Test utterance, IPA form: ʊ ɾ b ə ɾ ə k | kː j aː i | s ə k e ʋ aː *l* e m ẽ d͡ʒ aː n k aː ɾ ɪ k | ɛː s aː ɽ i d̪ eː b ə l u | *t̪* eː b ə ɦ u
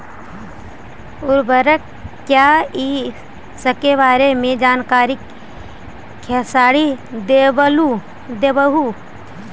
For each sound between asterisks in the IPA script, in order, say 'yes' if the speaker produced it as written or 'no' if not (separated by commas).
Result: no, no